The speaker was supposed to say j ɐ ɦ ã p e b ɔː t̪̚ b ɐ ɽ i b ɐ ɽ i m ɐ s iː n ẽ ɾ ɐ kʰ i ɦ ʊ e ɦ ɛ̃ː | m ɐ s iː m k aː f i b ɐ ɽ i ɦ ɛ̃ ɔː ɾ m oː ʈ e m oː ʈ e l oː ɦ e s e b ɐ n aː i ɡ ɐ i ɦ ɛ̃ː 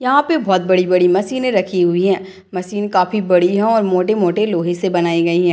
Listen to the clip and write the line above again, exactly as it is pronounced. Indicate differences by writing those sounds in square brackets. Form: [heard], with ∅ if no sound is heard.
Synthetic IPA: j ɐ ɦ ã p e b ɔː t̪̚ b ɐ ɽ i b ɐ ɽ i m ɐ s iː n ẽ ɾ ɐ kʰ i ɦ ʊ [i] ɦ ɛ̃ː | m ɐ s iː [n] k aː f i b ɐ ɽ i ɦ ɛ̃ ɔː ɾ m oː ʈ e m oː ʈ e l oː ɦ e s e b ɐ n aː i ɡ ɐ i ɦ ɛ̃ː